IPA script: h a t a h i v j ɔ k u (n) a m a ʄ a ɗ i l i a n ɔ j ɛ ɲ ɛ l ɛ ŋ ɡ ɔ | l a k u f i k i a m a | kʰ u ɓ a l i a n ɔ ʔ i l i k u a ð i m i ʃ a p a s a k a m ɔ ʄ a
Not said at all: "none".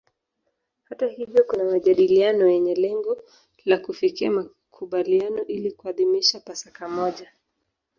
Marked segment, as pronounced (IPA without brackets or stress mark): n